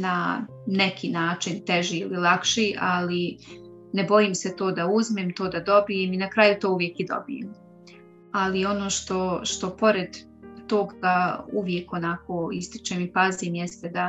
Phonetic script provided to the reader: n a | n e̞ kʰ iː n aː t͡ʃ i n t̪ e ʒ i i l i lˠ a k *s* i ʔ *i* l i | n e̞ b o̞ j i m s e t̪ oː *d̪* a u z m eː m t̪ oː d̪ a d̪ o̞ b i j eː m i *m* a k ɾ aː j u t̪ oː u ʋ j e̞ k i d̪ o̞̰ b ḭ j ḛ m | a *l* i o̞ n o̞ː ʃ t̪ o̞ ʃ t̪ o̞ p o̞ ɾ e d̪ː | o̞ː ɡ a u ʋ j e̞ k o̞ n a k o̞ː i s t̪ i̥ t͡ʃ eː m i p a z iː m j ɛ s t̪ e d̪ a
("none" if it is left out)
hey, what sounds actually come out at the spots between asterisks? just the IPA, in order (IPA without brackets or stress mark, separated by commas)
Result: ʃ, a, d̪, n, l